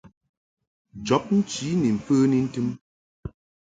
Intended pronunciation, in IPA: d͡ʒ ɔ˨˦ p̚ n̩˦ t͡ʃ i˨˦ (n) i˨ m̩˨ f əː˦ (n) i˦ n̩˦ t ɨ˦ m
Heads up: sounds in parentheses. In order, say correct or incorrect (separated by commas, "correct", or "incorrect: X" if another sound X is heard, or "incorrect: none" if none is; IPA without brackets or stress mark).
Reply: correct, correct